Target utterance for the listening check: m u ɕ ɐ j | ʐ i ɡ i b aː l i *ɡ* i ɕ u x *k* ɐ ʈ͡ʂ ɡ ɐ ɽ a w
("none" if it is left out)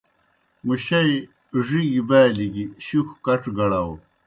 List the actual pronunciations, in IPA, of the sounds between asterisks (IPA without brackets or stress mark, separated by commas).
ɡ, k